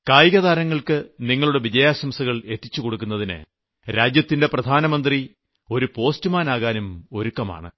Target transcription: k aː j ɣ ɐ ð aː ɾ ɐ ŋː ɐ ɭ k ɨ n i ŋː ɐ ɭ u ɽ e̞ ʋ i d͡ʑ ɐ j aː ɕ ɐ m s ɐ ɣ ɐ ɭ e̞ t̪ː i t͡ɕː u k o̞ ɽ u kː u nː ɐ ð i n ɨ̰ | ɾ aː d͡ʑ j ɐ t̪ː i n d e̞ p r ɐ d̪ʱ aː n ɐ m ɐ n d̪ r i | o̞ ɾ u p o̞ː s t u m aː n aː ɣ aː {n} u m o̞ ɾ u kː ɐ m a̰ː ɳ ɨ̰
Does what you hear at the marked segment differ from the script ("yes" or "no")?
no